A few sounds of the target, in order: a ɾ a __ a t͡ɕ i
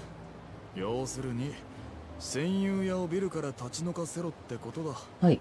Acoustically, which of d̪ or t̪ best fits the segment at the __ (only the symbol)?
t̪